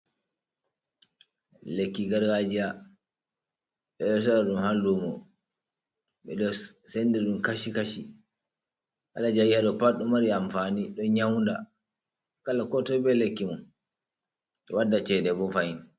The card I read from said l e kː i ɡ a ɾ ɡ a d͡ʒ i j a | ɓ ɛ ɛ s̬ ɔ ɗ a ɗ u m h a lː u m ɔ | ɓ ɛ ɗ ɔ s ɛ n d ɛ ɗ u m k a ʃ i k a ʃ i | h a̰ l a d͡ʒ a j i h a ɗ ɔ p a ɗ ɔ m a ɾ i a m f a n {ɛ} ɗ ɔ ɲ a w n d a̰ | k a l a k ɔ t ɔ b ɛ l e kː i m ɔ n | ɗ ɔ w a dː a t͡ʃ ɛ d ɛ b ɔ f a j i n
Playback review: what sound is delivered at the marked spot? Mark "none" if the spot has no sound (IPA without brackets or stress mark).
i